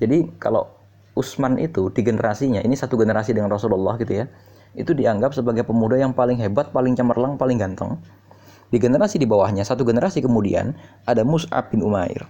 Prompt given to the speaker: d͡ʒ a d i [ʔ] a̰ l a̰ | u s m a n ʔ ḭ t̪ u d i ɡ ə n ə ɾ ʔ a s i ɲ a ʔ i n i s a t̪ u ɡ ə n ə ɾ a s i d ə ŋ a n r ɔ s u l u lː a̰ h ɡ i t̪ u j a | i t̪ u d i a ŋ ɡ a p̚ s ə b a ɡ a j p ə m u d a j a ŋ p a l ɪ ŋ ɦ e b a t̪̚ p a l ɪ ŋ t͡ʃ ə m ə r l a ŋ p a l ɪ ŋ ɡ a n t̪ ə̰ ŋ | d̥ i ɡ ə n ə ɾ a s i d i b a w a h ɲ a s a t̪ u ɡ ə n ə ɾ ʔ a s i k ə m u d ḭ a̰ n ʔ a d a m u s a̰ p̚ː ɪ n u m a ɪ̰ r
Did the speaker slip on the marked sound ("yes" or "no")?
yes